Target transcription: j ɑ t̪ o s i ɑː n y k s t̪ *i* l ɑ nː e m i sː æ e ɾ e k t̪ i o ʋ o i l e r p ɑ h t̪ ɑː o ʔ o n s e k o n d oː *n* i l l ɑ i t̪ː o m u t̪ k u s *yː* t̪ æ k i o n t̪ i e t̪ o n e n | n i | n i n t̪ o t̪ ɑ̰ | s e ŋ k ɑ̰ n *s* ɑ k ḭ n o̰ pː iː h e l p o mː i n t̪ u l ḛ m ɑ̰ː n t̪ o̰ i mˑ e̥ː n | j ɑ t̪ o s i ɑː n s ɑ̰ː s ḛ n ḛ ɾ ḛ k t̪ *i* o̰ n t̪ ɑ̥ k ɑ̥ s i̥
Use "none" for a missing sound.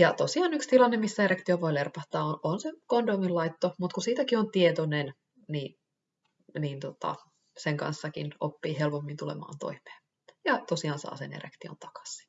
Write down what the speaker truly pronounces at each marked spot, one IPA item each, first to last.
i, m, iː, sː, i

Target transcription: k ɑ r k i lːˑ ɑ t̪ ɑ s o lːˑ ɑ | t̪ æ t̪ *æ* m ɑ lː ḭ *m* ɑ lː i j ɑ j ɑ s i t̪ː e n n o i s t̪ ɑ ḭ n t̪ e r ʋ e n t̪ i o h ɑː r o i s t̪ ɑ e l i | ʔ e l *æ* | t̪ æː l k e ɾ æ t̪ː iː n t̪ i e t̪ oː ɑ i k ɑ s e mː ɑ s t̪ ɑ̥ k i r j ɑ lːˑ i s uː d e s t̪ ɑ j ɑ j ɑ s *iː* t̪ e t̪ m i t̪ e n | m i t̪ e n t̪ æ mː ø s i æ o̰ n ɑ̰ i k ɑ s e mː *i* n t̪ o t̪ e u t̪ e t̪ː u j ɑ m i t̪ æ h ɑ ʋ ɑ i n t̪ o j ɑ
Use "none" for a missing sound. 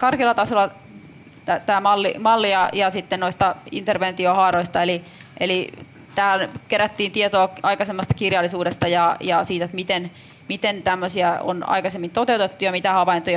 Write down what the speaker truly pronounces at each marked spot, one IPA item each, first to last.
æː, m, i, iː, i

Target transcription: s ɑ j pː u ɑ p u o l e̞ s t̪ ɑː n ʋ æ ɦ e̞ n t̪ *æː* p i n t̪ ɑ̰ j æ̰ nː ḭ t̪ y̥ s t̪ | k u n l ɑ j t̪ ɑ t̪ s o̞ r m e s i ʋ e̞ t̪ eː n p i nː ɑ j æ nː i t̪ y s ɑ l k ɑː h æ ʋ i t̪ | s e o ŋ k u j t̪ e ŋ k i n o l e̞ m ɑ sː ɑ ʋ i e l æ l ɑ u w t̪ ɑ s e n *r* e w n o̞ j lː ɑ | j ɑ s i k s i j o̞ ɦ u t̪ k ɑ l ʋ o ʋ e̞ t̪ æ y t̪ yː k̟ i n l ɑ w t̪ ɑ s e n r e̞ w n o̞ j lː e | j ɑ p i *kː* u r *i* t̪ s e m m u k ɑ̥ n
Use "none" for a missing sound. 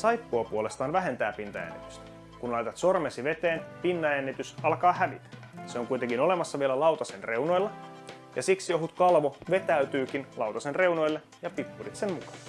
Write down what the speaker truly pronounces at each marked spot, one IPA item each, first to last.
æː, r, pː, i

